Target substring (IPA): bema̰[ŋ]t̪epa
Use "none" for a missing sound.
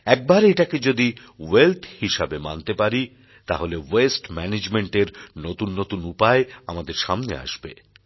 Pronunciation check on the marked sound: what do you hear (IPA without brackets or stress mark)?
n